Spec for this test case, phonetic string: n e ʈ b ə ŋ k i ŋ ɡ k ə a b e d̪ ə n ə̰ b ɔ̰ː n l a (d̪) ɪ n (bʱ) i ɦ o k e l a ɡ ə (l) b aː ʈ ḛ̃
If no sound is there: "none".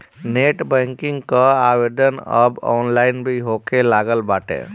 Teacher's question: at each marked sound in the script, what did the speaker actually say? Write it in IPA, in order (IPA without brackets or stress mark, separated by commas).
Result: none, bʱ, l